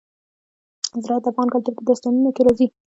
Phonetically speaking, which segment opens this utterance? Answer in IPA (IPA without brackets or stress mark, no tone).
z